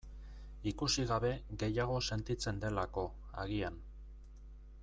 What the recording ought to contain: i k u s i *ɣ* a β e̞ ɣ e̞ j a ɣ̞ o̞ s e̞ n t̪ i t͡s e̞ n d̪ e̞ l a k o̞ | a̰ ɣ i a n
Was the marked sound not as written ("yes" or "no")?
no